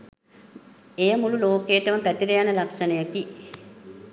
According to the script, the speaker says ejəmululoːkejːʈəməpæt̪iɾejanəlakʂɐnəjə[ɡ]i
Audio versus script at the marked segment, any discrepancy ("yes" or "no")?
yes